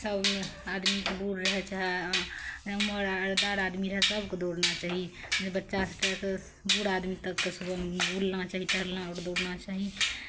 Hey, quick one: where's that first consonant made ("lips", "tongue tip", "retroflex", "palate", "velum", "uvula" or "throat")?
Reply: tongue tip